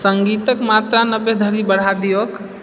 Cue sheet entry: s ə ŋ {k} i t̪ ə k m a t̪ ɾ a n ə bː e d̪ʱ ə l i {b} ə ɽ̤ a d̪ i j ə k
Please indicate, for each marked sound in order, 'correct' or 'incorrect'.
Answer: incorrect, correct

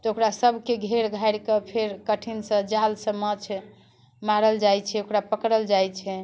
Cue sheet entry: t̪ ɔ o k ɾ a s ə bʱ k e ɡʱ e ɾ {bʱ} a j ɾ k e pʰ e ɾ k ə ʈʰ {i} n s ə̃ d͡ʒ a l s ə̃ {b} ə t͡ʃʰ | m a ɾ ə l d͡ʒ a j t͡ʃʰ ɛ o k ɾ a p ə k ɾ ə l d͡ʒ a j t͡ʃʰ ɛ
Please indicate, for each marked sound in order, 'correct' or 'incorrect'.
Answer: incorrect, correct, incorrect

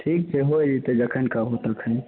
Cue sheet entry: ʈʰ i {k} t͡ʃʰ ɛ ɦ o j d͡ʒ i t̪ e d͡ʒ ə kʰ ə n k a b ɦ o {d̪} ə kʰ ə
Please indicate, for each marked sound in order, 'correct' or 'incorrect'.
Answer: correct, incorrect

